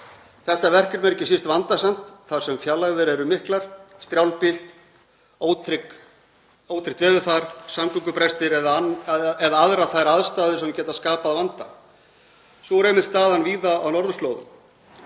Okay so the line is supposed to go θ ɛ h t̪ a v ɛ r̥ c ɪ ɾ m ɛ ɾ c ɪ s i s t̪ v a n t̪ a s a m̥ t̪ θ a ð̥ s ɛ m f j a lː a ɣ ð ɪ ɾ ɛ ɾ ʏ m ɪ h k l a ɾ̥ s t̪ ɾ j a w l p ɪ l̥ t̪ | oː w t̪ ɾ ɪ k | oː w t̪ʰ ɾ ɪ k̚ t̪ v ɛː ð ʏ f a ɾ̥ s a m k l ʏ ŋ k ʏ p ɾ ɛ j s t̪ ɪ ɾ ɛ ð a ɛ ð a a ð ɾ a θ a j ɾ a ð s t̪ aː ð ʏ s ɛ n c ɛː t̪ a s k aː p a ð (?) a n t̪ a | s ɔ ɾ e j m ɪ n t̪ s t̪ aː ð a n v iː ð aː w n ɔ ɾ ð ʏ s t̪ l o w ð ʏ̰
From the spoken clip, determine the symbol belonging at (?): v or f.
v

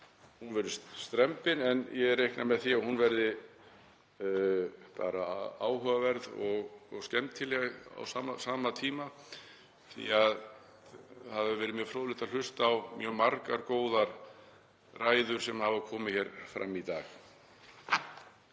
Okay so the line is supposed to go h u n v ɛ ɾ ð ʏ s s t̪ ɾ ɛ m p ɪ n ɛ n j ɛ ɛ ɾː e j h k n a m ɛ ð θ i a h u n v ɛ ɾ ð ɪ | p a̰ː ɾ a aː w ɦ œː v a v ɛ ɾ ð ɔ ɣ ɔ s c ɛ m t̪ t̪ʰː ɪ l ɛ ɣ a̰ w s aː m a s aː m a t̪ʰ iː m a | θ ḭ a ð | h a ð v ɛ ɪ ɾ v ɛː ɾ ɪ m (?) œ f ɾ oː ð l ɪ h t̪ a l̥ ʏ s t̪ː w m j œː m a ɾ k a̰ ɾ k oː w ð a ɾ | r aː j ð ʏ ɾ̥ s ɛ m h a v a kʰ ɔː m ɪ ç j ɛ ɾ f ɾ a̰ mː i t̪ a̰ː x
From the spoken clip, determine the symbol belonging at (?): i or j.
j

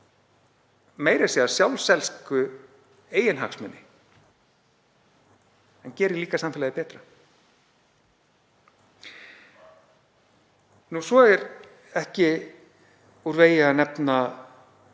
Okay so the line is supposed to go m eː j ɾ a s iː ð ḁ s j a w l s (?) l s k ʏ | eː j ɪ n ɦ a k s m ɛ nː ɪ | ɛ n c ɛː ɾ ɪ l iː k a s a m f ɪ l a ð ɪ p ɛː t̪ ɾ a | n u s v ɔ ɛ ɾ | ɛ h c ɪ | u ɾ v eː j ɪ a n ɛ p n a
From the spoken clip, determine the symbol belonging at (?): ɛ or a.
ɛ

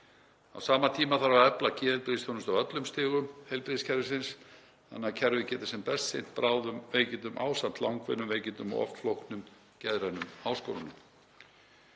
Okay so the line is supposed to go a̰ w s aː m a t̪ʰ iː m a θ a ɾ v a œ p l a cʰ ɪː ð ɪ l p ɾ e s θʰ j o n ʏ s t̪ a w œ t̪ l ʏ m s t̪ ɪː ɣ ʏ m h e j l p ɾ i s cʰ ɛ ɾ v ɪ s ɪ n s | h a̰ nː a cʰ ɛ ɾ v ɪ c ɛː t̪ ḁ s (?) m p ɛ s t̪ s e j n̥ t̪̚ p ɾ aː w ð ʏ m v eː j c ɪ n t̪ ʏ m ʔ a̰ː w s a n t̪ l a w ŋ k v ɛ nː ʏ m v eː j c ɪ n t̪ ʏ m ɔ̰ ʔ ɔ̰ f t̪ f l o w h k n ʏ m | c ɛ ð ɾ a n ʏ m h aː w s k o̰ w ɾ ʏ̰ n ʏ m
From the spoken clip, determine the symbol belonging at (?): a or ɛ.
ɛ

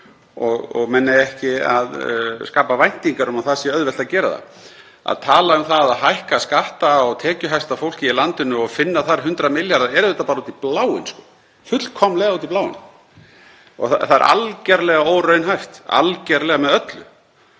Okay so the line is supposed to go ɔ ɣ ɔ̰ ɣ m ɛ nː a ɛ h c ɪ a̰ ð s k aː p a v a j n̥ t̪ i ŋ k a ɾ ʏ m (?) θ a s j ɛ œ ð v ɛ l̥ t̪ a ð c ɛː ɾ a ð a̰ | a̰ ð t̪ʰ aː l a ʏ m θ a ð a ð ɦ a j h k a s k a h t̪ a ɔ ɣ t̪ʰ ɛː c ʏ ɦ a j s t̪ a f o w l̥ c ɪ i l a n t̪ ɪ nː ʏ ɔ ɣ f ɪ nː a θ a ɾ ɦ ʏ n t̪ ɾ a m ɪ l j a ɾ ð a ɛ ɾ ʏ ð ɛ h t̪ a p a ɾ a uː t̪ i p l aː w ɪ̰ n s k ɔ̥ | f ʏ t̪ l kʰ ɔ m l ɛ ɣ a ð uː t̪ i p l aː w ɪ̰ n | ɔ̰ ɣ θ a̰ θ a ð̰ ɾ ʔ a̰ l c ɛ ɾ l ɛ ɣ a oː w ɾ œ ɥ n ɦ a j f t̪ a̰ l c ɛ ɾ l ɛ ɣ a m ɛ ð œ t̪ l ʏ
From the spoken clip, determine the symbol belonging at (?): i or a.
a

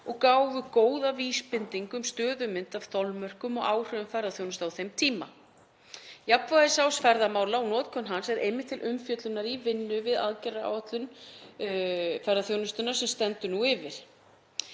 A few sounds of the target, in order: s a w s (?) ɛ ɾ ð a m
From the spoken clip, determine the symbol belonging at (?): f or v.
f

